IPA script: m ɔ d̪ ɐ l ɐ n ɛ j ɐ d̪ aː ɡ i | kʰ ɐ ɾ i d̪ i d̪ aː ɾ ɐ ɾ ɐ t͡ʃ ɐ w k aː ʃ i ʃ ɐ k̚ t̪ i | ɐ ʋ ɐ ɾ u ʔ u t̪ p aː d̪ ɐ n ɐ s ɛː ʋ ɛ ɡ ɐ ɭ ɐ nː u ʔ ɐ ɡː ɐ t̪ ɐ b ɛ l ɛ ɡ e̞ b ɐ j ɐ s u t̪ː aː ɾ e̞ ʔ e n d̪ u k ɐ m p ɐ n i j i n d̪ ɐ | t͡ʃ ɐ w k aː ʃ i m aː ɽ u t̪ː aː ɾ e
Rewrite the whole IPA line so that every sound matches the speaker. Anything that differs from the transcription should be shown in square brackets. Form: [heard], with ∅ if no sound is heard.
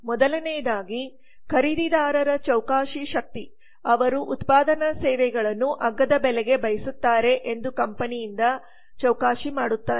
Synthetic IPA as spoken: m ɔ d̪ ɐ l ɐ n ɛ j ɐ d̪ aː ɡ i | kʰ ɐ ɾ i d̪ i d̪ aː ɾ ɐ ɾ ɐ t͡ʃ ɐ w k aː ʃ i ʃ ɐ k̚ t̪ i | ɐ ʋ ɐ ɾ u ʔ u t̪ p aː d̪ ɐ n ɐ s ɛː ʋ ɛ ɡ ɐ ɭ ɐ nː u ʔ ɐ ɡː ɐ [d̪] ɐ b ɛ l ɛ ɡ e̞ b ɐ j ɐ s u t̪ː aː ɾ e̞ ʔ e n d̪ u k ɐ m p ɐ n i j i n d̪ ɐ | t͡ʃ ɐ w k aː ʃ i m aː ɽ u t̪ː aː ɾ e